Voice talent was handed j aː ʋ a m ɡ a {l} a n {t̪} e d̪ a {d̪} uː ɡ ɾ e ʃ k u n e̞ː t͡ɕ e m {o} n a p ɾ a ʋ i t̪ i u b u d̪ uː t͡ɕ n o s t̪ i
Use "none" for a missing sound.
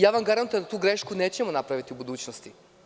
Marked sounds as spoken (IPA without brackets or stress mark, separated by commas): ɾ, t̪, t̪, o